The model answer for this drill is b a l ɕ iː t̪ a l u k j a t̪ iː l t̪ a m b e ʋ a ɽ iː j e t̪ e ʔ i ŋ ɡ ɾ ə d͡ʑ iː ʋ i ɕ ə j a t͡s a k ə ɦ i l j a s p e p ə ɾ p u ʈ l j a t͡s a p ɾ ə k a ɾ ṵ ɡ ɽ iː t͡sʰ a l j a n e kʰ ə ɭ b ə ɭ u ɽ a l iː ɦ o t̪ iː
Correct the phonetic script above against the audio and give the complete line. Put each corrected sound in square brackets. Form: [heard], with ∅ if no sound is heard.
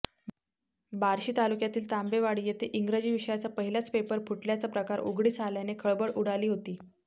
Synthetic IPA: b a [ɾ] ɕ iː t̪ a l u k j a t̪ iː l t̪ a m b e ʋ a ɽ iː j e t̪ e ʔ i ŋ ɡ ɾ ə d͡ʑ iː ʋ i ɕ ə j a t͡s a [p] ə ɦ i l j a [t͡s] p e p ə ɾ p u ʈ l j a t͡s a p ɾ ə k a ɾ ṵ ɡ ɽ iː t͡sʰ a l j a n e kʰ ə ɭ b ə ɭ u ɽ a l iː ɦ o t̪ iː

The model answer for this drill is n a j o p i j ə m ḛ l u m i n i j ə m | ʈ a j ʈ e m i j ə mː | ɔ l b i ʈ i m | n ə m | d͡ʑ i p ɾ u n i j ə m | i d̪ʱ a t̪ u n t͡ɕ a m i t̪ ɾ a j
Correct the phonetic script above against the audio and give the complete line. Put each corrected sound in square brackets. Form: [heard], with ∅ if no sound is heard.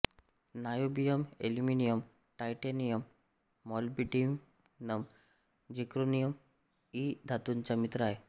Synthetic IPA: n a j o [b] i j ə m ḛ l u m i n i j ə m | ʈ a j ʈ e [n] i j ə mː | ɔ l b i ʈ i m | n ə m | d͡ʑ i [k] ɾ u n i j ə m | i d̪ʱ a t̪ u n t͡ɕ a m i t̪ ɾ a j

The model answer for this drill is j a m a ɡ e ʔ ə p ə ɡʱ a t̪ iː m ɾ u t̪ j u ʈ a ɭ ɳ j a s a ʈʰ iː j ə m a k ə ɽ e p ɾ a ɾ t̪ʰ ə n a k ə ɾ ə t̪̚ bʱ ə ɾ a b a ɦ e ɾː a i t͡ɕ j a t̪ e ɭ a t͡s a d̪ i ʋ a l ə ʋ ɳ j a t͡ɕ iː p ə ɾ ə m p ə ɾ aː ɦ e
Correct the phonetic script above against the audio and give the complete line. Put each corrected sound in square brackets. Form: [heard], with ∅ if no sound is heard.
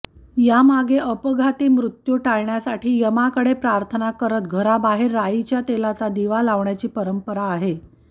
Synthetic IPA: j a m a ɡ e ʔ ə p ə ɡʱ a t̪ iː m ɾ u t̪ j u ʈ a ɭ ɳ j a s a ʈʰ iː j ə m a k ə ɽ e p ɾ a ɾ t̪ʰ ə n a k ə ɾ ə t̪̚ [ɡʱ] ə ɾ a b a ɦ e ɾː a i t͡ɕ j a t̪ e [l] a t͡s a d̪ i ʋ a l [a] ʋ ɳ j a t͡ɕ iː p ə ɾ ə m p ə ɾ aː ɦ e

